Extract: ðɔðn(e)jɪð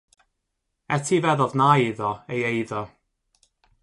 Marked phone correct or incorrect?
incorrect